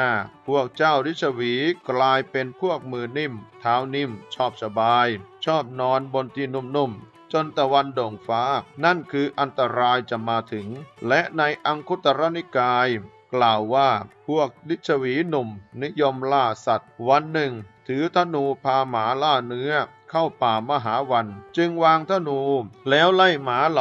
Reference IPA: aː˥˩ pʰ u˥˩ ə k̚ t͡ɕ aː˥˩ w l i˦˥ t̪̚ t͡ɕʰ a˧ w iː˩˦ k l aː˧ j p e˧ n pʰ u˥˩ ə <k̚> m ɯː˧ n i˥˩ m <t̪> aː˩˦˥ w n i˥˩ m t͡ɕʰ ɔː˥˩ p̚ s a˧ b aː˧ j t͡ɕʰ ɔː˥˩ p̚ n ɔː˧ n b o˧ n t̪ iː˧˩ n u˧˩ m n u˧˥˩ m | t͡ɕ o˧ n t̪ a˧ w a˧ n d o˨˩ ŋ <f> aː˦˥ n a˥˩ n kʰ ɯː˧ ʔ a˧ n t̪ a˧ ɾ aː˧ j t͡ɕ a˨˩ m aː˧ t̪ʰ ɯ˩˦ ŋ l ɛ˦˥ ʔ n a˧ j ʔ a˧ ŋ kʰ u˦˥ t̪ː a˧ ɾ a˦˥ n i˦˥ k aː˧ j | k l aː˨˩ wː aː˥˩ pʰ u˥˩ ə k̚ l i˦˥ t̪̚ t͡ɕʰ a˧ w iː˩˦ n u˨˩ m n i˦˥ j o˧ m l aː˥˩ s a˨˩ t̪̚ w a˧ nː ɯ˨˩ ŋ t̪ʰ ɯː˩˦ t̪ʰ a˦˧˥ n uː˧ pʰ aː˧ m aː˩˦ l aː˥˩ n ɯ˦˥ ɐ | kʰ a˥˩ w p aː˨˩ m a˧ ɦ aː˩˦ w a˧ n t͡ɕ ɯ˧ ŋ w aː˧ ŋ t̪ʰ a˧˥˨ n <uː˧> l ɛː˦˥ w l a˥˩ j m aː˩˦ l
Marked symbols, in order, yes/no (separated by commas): yes, no, yes, yes